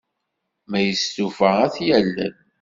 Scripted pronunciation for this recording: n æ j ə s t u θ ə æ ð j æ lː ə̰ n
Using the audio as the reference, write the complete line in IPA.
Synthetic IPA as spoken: m æ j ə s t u f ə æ θ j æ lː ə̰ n